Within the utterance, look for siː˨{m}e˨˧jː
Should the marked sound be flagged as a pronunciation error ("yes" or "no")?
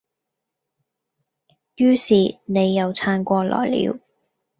yes